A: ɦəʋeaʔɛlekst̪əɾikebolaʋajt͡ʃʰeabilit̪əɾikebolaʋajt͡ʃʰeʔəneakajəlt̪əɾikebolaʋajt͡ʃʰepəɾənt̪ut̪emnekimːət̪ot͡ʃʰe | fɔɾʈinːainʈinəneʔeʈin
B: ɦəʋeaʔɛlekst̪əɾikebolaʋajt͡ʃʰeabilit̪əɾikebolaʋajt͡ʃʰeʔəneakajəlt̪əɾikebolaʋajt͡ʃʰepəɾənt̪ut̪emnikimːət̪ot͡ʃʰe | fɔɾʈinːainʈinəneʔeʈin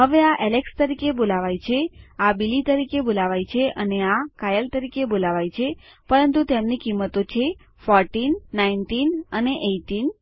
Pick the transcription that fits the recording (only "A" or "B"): B